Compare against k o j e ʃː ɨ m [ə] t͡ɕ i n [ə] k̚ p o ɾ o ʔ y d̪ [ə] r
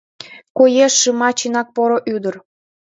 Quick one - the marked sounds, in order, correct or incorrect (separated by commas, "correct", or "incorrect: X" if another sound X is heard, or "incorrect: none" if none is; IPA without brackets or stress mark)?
incorrect: ɑ, incorrect: ɑ, correct